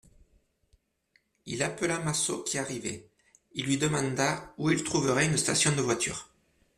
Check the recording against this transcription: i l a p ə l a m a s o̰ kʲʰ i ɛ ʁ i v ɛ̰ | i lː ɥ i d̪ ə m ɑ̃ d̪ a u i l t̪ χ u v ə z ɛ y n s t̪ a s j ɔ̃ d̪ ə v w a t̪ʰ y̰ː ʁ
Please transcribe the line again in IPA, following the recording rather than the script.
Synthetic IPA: i l a p ə l a m a s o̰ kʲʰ i a ʁ i v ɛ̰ | i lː ɥ i d̪ ə m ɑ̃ d̪ a u i l t̪ χ u v ə ʁ ɛ y n s t̪ a s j ɔ̃ d̪ ə v w a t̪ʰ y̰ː ʁ